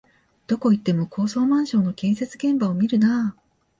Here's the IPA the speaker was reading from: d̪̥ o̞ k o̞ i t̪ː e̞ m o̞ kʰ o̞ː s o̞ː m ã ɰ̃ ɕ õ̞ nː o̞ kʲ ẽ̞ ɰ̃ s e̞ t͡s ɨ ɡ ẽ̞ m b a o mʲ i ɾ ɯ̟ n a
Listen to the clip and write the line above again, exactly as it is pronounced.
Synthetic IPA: d̪̥ o̞ k o̞ i t̪ː e̞ m o̞ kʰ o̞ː s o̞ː m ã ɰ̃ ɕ õ̞ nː o̞ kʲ ẽ̞ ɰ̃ s e̞ t͡s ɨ ɡ ẽ̞ m b a o mʲ i ɾ ɯ̟ n a